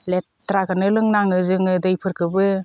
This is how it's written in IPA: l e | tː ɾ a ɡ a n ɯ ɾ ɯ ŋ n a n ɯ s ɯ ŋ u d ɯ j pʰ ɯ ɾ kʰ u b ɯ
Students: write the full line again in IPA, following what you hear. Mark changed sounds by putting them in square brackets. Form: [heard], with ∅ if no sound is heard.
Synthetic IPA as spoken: l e | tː ɾ a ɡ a n ɯ [l] ɯ ŋ n a [ŋ] ɯ [z] ɯ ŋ [ɯ] d ɯ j pʰ ɯ ɾ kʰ [ɯ] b ɯ